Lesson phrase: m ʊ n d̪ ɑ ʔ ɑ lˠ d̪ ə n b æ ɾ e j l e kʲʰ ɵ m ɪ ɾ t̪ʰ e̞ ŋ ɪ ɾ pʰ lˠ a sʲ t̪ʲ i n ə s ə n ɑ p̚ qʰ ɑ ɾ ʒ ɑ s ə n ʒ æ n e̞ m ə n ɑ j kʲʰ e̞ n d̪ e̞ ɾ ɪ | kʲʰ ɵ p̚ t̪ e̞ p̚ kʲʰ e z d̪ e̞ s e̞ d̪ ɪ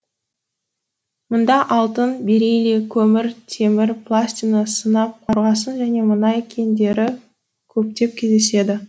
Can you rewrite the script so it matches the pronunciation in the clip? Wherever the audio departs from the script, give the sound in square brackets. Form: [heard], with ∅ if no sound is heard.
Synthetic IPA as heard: m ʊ n d̪ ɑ ʔ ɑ lˠ [t̪] ə n b [e] ɾ e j l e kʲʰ ɵ m ɪ ɾ t̪ʰ e̞ [m] ɪ ɾ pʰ lˠ a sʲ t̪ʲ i n ə s ə n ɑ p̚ qʰ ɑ ɾ [ʁ] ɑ s ə n ʒ æ n e̞ m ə n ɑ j kʲʰ e̞ n d̪ e̞ ɾ ɪ | kʲʰ ɵ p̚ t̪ e̞ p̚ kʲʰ e z d̪ e̞ s e̞ d̪ ɪ

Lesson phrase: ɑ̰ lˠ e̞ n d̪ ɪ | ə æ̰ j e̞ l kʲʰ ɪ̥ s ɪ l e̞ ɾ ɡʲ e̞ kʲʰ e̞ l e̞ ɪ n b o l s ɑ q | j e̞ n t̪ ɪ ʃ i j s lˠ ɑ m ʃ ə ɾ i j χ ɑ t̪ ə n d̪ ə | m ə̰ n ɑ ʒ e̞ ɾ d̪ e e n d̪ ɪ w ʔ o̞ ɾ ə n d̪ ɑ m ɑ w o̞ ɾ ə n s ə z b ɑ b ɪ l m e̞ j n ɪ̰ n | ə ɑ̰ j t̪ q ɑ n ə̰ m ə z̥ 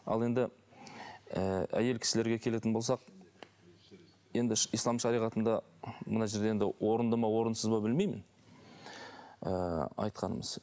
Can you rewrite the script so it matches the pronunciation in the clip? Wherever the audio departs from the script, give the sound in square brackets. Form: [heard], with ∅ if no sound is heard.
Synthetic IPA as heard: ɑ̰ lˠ e̞ n d̪ ɪ | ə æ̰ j e̞ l kʲʰ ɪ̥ s ɪ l e̞ ɾ ɡʲ e̞ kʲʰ e̞ l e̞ ɪ n b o l s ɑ q | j e̞ n [d̪] ɪ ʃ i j s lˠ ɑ m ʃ [ɑ] ɾ i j [ʁ] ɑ t̪ ə n d̪ [ɑ] | m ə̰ n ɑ ʒ e̞ ɾ d̪ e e n d̪ ɪ w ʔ o̞ ɾ ə n d̪ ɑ m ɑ w o̞ ɾ ə n s ə z b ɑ b ɪ l m e̞ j [m] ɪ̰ n | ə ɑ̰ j t̪ q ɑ n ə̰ m ə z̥

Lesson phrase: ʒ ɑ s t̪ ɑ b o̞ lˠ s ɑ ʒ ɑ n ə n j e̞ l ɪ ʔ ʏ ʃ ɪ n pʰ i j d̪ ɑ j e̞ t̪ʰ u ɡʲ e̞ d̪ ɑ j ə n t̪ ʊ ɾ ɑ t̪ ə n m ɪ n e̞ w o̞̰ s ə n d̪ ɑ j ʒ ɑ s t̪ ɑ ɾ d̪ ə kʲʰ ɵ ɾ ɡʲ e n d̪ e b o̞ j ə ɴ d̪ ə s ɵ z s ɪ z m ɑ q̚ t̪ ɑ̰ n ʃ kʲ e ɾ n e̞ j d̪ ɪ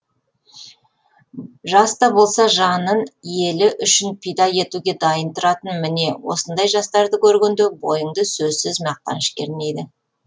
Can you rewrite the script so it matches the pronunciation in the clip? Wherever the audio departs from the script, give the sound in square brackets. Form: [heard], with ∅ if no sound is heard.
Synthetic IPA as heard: ʒ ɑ s t̪ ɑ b o̞ lˠ s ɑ ʒ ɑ n ə n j e̞ l ɪ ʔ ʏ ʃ ɪ n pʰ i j d̪ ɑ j e̞ [t̪] u ɡʲ e̞ d̪ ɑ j ə n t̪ ʊ ɾ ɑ t̪ ə n m ɪ n e̞ w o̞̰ s ə n d̪ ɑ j ʒ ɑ s t̪ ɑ ɾ d̪ ə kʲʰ ɵ ɾ ɡʲ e n d̪ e b o̞ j ə ɴ d̪ ə s ɵ z s ɪ z m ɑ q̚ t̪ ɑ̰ n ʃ kʲ e ɾ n e̞ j d̪ ɪ

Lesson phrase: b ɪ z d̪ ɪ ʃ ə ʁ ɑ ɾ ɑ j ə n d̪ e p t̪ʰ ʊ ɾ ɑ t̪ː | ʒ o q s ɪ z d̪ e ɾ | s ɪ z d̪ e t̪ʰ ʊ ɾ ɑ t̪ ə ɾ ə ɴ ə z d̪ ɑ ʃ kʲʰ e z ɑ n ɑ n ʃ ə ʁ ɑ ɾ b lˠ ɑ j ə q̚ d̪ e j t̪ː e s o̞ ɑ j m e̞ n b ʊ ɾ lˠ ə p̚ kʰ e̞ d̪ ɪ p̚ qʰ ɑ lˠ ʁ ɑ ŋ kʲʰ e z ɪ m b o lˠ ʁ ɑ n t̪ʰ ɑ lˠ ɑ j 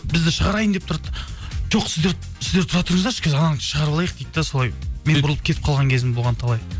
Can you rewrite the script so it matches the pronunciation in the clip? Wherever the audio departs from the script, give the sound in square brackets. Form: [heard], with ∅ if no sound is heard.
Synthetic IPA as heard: b ɪ z d̪ ɪ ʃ ə ʁ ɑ ɾ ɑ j ə n d̪ e p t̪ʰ ʊ ɾ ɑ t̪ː | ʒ o q s ɪ z d̪ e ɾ | s ɪ z d̪ e t̪ʰ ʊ ɾ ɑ t̪ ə ɾ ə ɴ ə z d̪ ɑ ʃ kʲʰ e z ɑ n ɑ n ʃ ə ʁ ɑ ɾ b lˠ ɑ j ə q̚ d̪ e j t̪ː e s o̞ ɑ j m e̞ n b ʊ ɾ lˠ ə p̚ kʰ e̞ [t̪] ɪ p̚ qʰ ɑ lˠ ʁ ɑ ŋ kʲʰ e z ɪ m b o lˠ ʁ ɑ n t̪ʰ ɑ lˠ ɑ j

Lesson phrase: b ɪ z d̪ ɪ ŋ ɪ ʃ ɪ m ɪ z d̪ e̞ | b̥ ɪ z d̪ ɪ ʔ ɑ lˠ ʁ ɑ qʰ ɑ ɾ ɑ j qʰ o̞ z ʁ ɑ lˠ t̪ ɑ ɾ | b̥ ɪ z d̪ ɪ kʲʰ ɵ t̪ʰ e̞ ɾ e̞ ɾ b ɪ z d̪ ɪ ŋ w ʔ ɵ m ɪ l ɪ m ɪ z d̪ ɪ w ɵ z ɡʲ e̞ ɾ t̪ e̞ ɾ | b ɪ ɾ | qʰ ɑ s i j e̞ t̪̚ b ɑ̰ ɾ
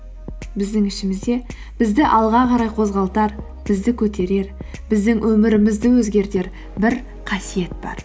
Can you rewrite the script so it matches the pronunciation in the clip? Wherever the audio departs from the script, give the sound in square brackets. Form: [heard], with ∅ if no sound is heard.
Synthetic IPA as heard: b ɪ z d̪ ɪ ŋ ɪ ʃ ɪ m ɪ z d̪ e̞ | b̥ ɪ z d̪ ɪ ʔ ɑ lˠ ʁ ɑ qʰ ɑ ɾ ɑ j qʰ o̞ z ʁ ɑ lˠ t̪ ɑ ɾ | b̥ ɪ z d̪ ɪ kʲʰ ɵ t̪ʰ e̞ ɾ e̞ ɾ b ɪ z d̪ ɪ ŋ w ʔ ɵ m ɪ [ɾ] ɪ m ɪ z d̪ ɪ w ɵ z ɡʲ e̞ ɾ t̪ e̞ ɾ | b ɪ ɾ | qʰ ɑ s i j e̞ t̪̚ b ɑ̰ ɾ

